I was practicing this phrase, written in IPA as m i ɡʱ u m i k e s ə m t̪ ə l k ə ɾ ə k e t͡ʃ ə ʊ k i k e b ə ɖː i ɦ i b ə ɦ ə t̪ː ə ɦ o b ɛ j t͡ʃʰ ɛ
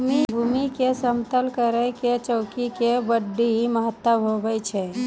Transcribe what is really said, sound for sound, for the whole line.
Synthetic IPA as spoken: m i bʱ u m i k e s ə m t̪ ə l k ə ɾ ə k e t͡ʃ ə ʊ k i k e b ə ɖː i ɦ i m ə ɦ ə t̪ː ə ɦ o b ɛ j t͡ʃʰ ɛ